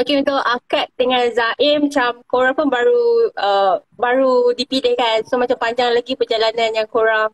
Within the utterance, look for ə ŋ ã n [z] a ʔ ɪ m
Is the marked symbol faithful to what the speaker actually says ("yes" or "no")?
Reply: yes